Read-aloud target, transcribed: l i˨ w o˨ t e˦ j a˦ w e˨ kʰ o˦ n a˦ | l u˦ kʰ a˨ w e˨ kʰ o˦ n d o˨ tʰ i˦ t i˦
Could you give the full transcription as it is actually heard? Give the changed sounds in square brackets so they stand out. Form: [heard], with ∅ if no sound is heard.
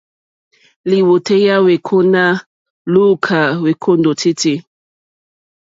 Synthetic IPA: l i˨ w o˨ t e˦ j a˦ w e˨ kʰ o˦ n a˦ | l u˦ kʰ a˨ w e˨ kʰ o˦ n d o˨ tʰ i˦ t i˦